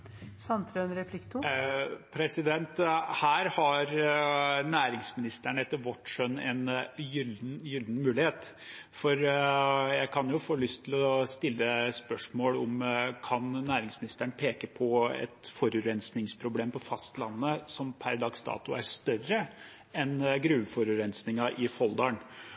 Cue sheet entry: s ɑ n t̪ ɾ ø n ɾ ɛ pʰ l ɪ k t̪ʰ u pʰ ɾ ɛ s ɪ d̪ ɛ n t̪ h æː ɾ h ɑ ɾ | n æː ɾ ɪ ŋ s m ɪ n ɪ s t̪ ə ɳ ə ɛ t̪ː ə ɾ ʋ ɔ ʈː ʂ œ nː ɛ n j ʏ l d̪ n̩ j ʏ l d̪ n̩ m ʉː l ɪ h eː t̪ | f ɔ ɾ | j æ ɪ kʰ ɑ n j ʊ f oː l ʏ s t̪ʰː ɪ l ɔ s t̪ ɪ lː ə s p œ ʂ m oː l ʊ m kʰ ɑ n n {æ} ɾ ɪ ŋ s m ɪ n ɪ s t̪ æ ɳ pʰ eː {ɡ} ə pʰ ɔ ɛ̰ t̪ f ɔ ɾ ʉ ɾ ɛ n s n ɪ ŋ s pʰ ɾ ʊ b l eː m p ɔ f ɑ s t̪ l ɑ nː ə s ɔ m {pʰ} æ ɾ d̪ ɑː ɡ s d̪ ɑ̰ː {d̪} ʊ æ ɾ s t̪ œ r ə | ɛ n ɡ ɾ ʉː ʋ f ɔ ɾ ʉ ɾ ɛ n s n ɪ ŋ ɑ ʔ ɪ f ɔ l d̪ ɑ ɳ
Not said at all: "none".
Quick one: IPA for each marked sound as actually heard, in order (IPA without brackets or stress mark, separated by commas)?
æː, k, pʰ, t̪